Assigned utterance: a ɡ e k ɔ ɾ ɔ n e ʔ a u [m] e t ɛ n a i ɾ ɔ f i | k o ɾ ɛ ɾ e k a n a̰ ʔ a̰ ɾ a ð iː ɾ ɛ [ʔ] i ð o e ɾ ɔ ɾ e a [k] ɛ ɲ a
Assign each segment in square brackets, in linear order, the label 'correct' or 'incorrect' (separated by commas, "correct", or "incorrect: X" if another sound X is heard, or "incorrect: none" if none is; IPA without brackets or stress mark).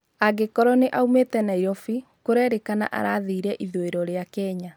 correct, correct, correct